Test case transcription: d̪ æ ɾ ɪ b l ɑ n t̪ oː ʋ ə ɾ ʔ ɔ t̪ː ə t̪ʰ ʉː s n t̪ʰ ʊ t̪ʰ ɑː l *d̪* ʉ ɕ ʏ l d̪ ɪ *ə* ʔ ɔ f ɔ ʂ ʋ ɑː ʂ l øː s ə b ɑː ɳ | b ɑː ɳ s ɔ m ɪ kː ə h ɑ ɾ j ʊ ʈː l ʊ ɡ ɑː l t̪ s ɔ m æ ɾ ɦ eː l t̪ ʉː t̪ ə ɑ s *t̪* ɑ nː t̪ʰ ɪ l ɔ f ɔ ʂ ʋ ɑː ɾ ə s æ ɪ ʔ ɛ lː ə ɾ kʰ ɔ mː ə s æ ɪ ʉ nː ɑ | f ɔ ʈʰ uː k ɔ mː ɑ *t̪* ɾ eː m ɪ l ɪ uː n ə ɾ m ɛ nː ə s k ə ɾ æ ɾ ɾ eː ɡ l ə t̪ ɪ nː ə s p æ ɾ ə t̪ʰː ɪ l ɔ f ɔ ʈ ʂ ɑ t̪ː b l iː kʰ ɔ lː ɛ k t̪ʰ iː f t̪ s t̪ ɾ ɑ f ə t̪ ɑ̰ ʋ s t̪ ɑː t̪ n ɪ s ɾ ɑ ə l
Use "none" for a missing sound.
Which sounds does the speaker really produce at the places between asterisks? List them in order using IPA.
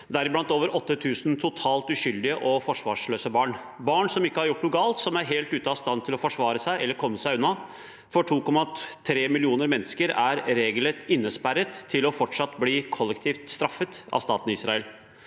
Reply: t̪, ə, t̪, t̪ʰ

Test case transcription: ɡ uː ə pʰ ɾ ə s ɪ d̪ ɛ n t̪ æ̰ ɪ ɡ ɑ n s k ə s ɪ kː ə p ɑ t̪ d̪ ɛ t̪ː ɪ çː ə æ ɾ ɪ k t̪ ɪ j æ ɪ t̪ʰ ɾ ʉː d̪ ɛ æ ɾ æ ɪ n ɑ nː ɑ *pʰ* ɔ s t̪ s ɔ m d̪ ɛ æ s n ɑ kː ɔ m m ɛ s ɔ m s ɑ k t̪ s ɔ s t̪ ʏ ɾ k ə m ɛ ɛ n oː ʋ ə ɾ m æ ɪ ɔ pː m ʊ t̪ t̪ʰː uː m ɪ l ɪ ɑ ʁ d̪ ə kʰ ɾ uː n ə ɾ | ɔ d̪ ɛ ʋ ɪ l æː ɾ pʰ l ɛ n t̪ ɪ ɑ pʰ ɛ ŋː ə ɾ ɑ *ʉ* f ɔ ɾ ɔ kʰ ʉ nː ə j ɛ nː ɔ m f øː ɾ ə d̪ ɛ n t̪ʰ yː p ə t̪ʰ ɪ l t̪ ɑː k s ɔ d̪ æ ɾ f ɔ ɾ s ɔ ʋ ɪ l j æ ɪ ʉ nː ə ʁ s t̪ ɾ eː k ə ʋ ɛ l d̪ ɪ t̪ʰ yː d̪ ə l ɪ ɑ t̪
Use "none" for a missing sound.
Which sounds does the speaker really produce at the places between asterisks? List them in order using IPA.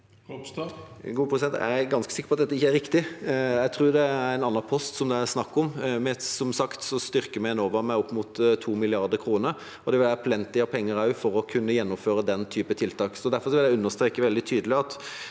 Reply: pʰ, ʉ

